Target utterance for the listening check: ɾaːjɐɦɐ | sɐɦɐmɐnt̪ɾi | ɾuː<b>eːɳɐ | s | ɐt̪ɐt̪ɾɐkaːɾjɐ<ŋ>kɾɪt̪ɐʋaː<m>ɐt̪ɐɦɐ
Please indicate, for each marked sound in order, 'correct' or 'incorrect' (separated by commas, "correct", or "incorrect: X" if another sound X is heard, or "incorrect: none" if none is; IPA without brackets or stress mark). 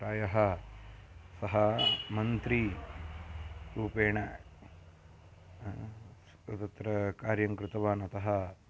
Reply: incorrect: p, correct, incorrect: n